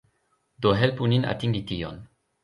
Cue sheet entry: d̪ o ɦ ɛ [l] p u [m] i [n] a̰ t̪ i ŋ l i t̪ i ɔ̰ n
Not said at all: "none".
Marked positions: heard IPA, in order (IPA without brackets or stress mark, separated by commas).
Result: l, n, n